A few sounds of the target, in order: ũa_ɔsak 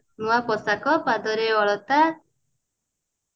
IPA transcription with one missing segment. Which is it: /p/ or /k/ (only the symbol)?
p